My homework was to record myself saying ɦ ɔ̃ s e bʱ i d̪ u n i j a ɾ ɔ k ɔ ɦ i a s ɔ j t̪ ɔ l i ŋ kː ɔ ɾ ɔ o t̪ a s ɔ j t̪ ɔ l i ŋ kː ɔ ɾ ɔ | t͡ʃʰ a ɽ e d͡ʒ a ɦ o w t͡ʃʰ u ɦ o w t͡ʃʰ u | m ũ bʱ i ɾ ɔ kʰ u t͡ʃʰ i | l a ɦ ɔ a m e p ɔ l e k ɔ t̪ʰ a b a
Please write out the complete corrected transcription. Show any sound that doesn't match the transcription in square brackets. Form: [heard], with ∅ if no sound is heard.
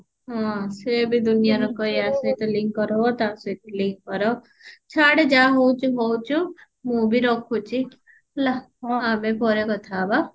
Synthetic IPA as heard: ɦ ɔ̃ s e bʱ i d̪ u n i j a ɾ ɔ k ɔ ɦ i a s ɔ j t̪ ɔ l i ŋ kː ɔ ɾ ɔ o t̪ a s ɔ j t̪ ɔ l i ŋ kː ɔ ɾ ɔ | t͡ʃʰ a ɽ e d͡ʒ a ɦ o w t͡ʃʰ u ɦ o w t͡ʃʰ u | m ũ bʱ i ɾ ɔ kʰ u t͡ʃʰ i | l a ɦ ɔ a m e p ɔ [ɾ] e k ɔ t̪ʰ a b a